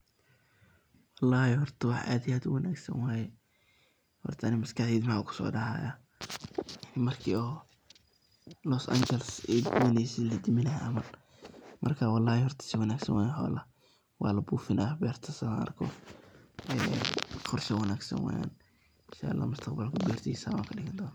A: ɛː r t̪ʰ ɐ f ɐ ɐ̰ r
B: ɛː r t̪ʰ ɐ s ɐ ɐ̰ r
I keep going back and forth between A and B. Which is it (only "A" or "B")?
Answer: B